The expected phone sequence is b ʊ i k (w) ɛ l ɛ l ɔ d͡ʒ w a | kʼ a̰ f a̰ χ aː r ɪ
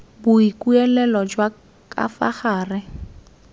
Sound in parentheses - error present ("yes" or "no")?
yes